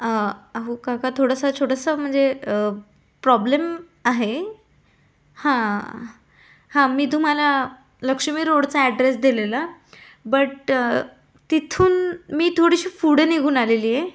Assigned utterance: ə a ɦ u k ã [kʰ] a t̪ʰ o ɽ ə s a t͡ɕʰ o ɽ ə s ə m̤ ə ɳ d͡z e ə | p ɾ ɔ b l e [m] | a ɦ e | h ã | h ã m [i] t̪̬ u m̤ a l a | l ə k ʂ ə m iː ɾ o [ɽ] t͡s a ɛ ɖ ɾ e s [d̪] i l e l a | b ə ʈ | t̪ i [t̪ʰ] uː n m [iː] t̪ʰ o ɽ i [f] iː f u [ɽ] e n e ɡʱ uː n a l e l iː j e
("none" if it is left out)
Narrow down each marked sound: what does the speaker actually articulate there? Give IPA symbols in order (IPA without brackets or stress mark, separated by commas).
k, m, iː, ɽ, d̪, t̪ʰ, iː, ɕ, ɽ